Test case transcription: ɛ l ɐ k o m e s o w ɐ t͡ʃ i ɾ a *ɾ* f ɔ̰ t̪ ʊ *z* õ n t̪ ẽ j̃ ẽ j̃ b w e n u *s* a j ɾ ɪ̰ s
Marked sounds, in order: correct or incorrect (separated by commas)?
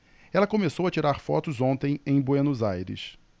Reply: correct, correct, incorrect